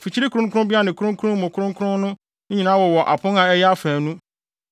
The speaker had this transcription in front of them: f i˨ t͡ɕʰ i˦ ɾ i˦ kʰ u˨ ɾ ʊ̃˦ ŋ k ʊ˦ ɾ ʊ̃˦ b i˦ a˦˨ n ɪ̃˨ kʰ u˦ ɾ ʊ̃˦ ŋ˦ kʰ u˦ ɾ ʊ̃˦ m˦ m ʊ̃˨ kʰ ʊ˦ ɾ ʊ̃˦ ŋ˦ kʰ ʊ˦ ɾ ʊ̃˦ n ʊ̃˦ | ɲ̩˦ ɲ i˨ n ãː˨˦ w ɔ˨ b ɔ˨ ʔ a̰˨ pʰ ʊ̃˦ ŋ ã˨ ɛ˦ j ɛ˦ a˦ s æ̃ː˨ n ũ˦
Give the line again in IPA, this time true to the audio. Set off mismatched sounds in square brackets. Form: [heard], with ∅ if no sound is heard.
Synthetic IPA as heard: f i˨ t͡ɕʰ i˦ ɾ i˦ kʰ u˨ ɾ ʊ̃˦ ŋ k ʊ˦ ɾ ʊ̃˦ b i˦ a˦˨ n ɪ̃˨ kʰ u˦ ɾ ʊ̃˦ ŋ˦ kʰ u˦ ɾ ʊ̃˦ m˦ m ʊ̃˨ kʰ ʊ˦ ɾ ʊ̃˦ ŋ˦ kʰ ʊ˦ ɾ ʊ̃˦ n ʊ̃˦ | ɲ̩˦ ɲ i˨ n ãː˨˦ w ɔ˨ [w] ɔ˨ ʔ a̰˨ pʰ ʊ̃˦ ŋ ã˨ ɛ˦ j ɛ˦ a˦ [f] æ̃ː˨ n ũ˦